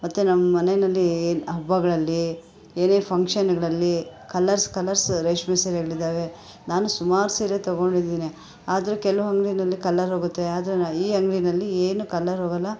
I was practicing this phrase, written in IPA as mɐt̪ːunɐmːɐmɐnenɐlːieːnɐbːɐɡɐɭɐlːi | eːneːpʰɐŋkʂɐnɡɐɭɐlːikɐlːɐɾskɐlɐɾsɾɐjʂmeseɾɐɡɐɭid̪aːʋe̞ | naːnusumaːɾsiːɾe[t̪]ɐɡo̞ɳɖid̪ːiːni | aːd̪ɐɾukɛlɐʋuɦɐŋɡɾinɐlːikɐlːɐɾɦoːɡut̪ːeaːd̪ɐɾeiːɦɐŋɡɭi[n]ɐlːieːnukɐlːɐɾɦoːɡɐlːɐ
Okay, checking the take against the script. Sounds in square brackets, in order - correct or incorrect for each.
correct, correct

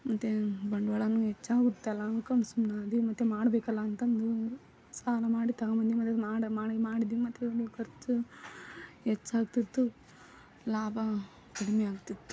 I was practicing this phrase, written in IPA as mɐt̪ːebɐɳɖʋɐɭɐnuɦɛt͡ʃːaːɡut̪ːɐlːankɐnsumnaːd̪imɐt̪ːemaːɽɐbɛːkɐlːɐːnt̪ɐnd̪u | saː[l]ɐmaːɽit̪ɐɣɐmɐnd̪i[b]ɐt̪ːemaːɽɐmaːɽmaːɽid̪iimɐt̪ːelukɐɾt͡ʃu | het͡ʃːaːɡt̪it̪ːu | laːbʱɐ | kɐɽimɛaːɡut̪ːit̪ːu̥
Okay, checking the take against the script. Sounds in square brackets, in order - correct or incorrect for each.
correct, incorrect: m

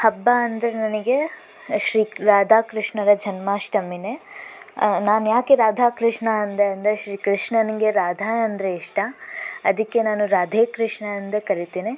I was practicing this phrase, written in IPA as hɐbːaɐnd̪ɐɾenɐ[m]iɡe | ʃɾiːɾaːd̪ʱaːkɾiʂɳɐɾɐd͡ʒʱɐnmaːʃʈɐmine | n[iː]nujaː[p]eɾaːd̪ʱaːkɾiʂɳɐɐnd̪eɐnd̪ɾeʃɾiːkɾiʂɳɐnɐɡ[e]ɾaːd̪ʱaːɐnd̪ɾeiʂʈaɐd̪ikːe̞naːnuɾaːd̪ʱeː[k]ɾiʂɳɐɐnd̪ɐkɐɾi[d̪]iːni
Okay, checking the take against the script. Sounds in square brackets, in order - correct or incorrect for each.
incorrect: n, incorrect: aː, incorrect: k, correct, correct, incorrect: t̪

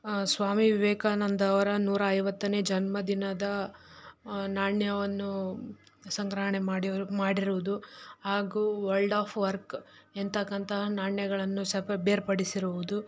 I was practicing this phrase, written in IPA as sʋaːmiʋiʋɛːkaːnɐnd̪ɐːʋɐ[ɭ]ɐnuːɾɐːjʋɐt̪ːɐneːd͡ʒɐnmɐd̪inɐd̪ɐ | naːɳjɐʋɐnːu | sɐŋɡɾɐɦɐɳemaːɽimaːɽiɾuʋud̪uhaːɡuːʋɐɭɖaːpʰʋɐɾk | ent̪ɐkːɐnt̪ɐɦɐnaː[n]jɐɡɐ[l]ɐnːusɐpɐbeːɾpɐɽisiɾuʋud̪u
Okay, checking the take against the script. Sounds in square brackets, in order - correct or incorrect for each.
incorrect: ɾ, incorrect: ɳ, incorrect: ɭ

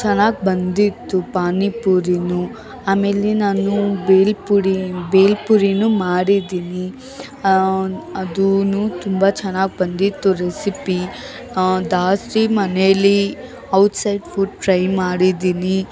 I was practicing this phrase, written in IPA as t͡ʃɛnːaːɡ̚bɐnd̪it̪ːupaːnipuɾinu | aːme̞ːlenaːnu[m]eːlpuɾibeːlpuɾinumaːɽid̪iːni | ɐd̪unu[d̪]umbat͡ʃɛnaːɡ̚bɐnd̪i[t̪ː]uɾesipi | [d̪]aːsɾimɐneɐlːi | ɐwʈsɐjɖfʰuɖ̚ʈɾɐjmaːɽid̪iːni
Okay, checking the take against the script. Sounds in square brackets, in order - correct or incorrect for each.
incorrect: b, incorrect: t̪, correct, correct

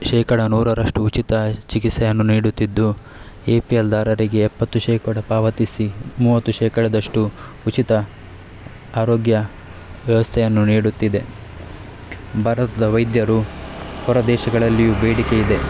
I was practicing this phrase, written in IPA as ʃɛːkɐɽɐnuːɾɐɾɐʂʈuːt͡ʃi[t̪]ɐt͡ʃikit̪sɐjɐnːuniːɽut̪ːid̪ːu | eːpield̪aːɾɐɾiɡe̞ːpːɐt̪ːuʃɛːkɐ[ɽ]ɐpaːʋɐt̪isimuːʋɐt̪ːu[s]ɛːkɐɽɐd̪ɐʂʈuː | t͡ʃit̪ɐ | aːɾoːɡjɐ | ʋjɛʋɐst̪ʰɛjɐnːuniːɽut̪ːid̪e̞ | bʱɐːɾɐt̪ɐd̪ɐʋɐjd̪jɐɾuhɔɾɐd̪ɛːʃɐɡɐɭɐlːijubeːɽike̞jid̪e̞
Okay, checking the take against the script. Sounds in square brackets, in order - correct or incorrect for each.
correct, correct, incorrect: ʃ

